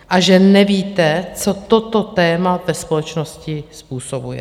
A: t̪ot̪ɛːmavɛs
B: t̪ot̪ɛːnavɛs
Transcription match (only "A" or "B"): A